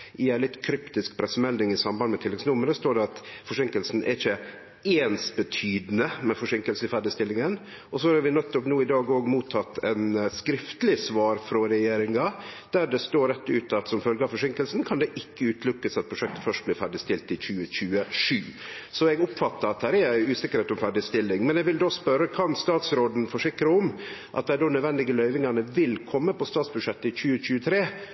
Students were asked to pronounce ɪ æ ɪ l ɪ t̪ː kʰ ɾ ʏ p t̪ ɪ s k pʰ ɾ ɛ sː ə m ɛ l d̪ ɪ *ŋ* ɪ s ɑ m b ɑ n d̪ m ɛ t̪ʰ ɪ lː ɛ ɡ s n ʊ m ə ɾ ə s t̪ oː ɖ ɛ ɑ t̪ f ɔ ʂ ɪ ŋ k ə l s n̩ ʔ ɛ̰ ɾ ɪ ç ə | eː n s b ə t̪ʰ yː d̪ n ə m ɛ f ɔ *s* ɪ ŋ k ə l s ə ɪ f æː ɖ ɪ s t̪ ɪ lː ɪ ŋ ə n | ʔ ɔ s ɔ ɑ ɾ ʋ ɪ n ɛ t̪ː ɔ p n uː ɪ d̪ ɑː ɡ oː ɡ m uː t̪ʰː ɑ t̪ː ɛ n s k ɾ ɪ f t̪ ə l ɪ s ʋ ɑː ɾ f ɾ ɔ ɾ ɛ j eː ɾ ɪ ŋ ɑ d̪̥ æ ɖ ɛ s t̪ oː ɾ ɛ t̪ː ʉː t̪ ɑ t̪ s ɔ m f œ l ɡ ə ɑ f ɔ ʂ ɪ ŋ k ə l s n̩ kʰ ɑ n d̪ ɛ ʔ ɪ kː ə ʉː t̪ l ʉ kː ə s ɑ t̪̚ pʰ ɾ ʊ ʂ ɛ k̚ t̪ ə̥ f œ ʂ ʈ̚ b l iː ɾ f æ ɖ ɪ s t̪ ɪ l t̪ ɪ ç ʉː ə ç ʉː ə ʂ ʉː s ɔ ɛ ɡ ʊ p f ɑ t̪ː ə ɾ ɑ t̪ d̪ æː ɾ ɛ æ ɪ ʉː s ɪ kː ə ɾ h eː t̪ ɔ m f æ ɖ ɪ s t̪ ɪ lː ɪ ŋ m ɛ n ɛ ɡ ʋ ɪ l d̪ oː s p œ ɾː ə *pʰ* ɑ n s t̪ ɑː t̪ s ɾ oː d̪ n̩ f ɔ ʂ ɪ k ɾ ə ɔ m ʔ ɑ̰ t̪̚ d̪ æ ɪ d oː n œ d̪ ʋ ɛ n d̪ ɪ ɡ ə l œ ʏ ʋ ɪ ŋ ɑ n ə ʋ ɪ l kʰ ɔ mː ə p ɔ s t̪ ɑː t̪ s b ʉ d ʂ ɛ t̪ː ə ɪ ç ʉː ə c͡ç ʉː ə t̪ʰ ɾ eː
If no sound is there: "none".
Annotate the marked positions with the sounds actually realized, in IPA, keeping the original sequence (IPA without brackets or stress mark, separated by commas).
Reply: ŋ, ʂ, kʰ